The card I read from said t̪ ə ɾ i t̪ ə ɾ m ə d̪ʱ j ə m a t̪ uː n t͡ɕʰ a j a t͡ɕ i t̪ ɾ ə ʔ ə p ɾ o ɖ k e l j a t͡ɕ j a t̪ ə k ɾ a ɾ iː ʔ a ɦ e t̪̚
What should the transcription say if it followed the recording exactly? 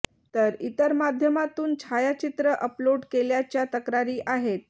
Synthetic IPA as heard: t̪ ə ɾ i t̪ ə ɾ m a d̪ʱ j ə m a t̪ uː n t͡ɕʰ a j a t͡ɕ i t̪ ɾ ə ʔ ə p l o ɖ k e l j a t͡ɕ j a t̪ ə k ɾ a ɾ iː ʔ a ɦ e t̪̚

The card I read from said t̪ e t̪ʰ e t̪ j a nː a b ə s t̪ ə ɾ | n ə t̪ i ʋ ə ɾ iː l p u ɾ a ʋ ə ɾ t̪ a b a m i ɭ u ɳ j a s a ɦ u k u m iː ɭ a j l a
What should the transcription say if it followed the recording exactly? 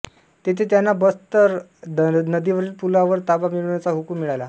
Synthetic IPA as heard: t̪ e t̪ʰ e t̪ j a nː a b ə s t̪ ə ɾ | n ə d̪ i ʋ ə ɾ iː l p u l a ʋ ə ɾ t̪ a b a m i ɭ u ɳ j a t͡s a ɦ u k u m i ɭ a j l a

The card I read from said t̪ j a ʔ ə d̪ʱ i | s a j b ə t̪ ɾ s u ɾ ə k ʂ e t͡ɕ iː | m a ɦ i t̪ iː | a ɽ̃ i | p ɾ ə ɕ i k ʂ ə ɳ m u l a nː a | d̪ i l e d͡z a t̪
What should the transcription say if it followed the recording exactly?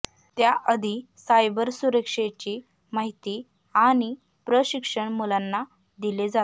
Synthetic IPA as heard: t̪ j a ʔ ə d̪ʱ i | s a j b ə ɾ s u ɾ ə k ʂ e t͡ɕ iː | m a ɦ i t̪ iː | a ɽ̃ i | p ɾ ə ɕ i k ʂ ə ɳ m u l a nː a | d̪ i l e d͡z a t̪

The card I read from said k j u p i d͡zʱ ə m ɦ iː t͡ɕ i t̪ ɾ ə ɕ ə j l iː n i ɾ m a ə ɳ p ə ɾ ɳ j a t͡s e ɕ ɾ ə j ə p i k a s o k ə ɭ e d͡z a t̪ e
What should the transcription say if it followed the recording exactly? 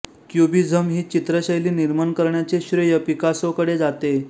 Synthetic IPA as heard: k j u b i d͡zʱ ə m ɦ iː t͡ɕ i t̪ ɾ ə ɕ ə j l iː n i ɾ m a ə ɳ k ə ɾ ɳ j a t͡s e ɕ ɾ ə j ə p i k a s o k ə ɽ e d͡z a t̪ e

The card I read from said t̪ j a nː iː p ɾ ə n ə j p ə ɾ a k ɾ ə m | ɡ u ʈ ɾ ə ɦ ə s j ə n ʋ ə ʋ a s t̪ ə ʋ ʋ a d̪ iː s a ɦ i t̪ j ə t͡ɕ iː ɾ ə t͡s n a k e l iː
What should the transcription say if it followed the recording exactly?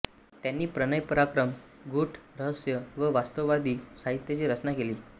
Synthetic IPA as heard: t̪ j a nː iː p ɾ ə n ə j p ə ɾ a k ɾ ə m | ɡ u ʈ ɾ ə ɦ ə s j ə ʋ ə ʋ a s t̪ ə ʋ ʋ a d̪ iː s a ɦ i t̪ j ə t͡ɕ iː ɾ ə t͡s n a k e l iː

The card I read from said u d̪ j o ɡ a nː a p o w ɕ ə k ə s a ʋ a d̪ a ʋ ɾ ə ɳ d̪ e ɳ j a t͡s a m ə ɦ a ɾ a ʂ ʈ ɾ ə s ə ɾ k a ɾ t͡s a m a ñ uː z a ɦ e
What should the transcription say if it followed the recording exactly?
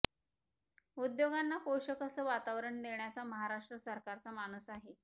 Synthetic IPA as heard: u d̪ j o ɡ a nː a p o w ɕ ə k ə s ə ʋ a t̪ a ʋ ɾ ə ɳ d̪ e ɳ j a t͡s a m ə ɦ a ɾ a ʂ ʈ ɾ ə s ə ɾ k a ɾ t͡s a m a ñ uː s a ɦ e

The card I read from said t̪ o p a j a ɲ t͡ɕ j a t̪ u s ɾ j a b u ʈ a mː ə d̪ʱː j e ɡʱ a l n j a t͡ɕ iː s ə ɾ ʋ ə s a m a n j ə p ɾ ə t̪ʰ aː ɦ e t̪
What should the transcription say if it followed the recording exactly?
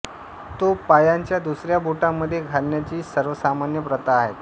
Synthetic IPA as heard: t̪ o p a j a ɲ t͡ɕ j a d̪ u s ɾ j a b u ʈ a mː ə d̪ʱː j e ɡʱ a l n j a t͡ɕ iː s ə ɾ ʋ ə s a m a n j ə p ɾ ə t̪ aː ɦ e t̪

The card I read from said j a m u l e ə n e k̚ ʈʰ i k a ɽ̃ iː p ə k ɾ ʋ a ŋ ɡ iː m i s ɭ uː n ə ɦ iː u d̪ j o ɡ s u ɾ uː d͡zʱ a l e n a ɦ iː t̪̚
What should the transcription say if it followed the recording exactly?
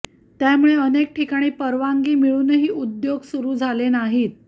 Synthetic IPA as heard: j a m u ɭ e ə n e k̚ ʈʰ i k a ɽ̃ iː p ə ɾ ʋ a ŋ ɡ iː m i ɭ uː n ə ɦ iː u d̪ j o ɡ s u ɾ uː d͡zʱ a l e n a ɦ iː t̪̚

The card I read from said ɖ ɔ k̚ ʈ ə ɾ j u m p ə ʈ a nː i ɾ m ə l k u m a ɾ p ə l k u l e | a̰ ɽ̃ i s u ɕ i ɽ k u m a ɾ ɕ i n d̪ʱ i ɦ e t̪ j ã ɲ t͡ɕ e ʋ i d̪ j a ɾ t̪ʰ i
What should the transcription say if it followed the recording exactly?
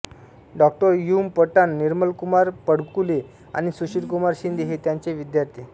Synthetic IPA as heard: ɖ ɔ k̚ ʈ ə ɾ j u m p ə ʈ a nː i ɾ m ə l k u m a ɾ p ə ɽ k u l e | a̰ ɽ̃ i s u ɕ i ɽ k u m a ɾ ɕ i n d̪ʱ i ɦ e t̪ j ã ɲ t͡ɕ e ʋ i d̪ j a ɾ t̪ʰ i

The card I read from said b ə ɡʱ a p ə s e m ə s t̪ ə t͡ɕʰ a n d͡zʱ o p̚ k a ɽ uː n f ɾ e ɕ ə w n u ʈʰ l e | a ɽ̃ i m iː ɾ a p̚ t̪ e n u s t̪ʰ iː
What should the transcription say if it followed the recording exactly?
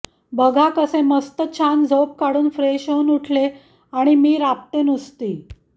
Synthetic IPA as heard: b ə ɡʱ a k ə s e m ə s t̪ ə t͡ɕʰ a n d͡zʱ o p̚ k a ɽ uː n f ɾ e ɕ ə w n u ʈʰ l e | a ɽ̃ i m iː ɾ a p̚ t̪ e n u s t̪ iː

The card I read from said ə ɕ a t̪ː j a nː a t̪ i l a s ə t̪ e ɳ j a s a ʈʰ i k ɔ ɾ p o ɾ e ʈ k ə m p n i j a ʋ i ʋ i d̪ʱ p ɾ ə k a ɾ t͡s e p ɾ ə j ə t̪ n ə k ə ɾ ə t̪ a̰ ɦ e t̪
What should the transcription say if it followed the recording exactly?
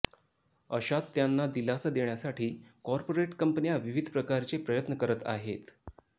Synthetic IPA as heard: ə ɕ a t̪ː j a nː a d̪ i l a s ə d̪ e ɳ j a s a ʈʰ iː k ɔ ɾ p o ɾ e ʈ k ə m p n i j a ʋ i ʋ i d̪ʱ p ɾ ə k a ɾ t͡s e p ɾ ə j ə t̪ n ə k ə ɾ ə t̪ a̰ ɦ e t̪

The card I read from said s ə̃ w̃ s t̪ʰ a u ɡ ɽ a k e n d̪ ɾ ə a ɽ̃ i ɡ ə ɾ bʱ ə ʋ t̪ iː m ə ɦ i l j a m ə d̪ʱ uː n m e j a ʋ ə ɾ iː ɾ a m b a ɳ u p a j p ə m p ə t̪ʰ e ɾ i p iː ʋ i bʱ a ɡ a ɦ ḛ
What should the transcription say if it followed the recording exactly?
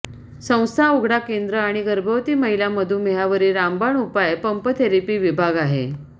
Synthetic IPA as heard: s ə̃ w̃ s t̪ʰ a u ɡ ɽ a k e n d̪ ɾ ə a ɽ̃ i ɡ ə ɾ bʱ ə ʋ t̪ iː m ə ɦ i l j a m ə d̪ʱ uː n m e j a ʋ ə ɾ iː ɾ a m b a ɳ u p a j p ə m p ə t̪ʰ e ɾ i p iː ʋ i bʱ a ɡ a ɦ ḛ

